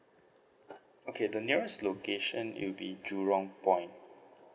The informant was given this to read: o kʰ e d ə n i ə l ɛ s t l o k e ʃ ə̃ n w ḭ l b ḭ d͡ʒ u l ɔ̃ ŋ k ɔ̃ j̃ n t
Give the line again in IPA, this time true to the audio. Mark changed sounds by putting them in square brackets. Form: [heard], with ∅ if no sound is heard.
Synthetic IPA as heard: o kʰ e d ə n i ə [ɹ] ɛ s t l o k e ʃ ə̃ n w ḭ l b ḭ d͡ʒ u [ɹ] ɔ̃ ŋ [p] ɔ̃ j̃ n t